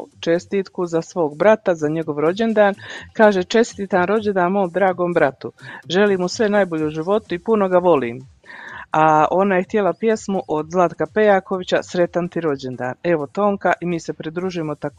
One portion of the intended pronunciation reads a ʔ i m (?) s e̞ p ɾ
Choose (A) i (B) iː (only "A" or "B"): B